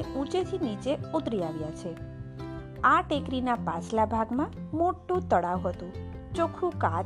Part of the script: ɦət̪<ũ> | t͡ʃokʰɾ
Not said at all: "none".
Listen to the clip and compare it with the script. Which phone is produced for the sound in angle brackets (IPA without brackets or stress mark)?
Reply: ũ